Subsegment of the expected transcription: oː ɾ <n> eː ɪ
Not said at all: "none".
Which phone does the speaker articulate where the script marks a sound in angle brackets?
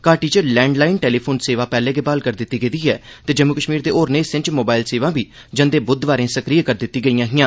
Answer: n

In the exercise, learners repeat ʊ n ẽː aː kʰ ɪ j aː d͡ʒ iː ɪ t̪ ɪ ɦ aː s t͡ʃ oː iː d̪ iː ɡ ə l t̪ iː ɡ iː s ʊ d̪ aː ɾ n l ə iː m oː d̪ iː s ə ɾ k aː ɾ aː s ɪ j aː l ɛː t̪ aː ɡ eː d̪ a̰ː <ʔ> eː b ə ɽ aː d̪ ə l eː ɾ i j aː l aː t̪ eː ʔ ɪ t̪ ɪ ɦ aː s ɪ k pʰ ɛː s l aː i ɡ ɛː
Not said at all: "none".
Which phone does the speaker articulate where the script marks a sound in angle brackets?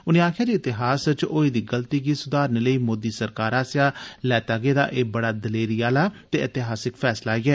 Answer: ʔ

